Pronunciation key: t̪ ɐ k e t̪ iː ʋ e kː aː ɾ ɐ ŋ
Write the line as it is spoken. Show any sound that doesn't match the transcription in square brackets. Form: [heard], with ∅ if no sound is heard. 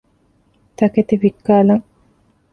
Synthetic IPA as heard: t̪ ɐ k e t̪ [i] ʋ [i] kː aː [l] ɐ ŋ